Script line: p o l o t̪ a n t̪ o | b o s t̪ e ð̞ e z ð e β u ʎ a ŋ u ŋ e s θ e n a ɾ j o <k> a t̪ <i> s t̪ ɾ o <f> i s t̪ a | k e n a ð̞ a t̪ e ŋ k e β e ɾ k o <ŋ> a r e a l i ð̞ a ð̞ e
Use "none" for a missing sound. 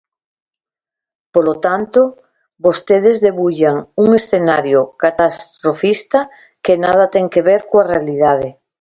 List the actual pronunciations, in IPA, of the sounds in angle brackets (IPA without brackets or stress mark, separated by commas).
k, a, f, none